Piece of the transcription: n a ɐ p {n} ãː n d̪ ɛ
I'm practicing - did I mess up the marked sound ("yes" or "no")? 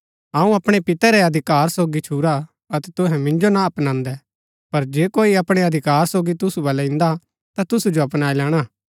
no